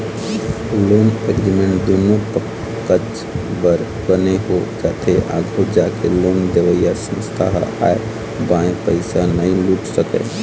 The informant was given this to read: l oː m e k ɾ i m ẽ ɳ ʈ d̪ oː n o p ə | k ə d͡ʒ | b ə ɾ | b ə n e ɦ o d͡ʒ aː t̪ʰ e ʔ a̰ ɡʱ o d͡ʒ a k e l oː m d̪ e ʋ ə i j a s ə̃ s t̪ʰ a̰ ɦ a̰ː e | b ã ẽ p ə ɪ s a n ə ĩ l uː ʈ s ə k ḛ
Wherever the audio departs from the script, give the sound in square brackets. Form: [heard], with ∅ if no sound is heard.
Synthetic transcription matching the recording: l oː m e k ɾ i m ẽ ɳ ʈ d̪ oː n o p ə | k ə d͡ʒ | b ə ɾ | b ə n e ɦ o d͡ʒ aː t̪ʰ e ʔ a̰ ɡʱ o d͡ʒ a k e l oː m d̪ e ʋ ə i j a s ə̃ s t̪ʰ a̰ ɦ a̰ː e | b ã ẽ p ə ɪ s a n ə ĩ l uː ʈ s ə k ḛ